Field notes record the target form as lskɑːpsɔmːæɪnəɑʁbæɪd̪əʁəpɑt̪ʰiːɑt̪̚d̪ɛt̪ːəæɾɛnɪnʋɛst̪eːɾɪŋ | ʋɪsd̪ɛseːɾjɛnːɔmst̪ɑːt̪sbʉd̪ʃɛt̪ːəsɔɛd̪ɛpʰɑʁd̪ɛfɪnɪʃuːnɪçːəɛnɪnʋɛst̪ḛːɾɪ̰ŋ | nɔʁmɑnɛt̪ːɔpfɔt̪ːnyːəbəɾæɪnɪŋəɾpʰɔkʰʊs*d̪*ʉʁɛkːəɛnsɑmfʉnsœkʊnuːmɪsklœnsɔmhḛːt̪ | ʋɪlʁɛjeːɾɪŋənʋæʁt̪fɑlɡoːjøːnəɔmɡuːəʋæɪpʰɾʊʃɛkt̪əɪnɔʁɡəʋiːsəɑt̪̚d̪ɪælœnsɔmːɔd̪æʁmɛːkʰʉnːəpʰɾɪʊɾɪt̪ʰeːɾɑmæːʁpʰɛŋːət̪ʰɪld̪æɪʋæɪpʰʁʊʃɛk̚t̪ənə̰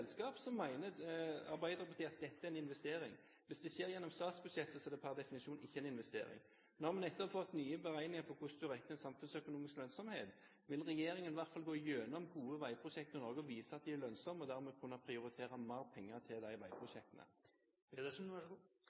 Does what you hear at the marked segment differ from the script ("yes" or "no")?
no